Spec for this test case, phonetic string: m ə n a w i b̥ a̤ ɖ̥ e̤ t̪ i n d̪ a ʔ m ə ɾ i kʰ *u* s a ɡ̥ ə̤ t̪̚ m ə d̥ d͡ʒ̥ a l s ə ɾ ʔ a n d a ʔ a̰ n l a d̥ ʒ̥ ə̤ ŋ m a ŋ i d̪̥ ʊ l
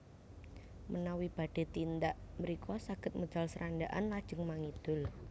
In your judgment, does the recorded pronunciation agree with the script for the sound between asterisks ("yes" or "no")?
no